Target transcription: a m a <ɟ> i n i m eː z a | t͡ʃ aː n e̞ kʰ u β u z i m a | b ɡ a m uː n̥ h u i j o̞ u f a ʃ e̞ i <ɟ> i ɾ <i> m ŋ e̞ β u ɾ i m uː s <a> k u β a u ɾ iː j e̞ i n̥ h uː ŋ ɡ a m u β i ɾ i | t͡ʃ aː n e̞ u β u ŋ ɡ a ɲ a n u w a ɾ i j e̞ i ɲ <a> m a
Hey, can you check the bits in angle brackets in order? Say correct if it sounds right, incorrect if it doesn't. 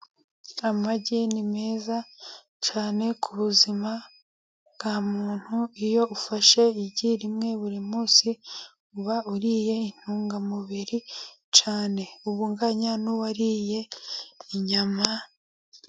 correct, correct, correct, incorrect, correct

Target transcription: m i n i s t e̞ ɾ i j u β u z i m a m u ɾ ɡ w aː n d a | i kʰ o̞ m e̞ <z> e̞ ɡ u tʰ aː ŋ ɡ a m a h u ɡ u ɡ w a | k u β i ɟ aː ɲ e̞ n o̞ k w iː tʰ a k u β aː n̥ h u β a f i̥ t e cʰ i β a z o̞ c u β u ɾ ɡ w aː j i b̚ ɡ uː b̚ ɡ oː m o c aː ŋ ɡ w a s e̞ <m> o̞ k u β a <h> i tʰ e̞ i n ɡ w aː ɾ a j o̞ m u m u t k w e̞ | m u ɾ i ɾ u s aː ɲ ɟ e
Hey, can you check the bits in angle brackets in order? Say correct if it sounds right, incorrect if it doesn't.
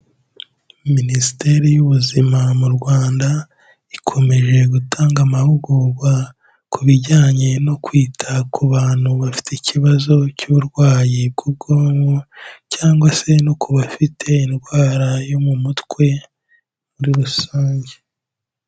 incorrect, incorrect, incorrect

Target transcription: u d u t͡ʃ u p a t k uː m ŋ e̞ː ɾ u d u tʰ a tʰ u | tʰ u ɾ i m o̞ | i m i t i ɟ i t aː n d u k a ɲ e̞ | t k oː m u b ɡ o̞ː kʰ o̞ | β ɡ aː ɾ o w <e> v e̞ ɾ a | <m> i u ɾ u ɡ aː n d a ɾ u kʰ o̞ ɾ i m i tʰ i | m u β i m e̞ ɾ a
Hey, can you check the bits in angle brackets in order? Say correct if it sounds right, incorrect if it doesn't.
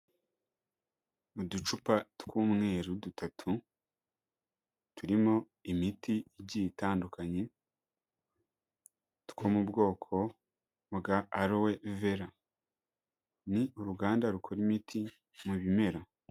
correct, incorrect

